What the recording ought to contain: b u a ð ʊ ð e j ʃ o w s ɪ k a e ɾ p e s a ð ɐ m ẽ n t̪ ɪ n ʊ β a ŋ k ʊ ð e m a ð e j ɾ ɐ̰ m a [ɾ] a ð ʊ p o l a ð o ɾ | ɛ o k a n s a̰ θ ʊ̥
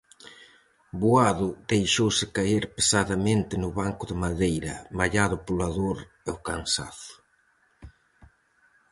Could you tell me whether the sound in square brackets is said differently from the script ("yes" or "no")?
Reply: yes